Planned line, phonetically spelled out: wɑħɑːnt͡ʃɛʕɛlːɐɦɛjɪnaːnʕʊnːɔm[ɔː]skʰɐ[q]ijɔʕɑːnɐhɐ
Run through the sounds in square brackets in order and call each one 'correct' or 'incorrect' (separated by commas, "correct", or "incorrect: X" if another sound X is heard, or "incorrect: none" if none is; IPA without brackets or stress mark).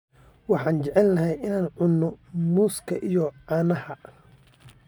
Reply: incorrect: uː, incorrect: ʔ